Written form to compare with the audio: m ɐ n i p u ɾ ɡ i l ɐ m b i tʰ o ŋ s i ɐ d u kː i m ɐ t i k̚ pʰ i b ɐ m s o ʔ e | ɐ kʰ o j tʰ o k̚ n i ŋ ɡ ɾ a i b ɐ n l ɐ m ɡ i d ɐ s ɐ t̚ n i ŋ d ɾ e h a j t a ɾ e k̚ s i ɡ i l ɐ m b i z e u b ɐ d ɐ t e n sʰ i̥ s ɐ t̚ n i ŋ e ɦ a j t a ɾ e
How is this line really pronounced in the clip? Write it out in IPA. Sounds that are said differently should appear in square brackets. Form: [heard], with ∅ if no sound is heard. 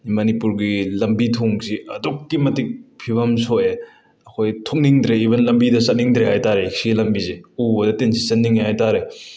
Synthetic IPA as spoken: m ɐ n i p u ɾ ɡ i l ɐ m b i tʰ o ŋ s i ɐ d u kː i m ɐ t i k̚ pʰ i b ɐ m s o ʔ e | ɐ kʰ o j tʰ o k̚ n i ŋ [d] ɾ [e] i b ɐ n l ɐ m [b] i d ɐ s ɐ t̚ n i ŋ d ɾ e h a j t a ɾ e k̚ s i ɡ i l ɐ m b i z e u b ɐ d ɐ t e n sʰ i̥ s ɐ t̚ n i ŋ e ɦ a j t a ɾ e